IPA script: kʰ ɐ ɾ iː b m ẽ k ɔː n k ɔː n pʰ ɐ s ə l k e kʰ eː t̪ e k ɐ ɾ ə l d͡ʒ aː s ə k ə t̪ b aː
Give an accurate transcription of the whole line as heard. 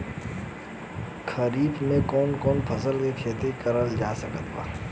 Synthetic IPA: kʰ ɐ ɾ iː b m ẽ k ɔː n k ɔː n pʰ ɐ s ə l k e kʰ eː t̪ e k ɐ ɾ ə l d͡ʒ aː s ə k ə t̪ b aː

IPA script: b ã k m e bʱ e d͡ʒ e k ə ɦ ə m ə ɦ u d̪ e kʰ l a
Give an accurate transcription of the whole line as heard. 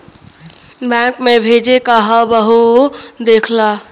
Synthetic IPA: b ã k m e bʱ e d͡ʒ e k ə ɦ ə b ə ɦ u d̪ e kʰ l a

